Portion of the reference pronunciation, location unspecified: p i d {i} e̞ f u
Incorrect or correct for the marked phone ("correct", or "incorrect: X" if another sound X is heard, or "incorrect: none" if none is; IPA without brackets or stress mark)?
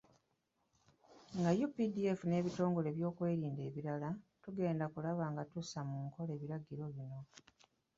correct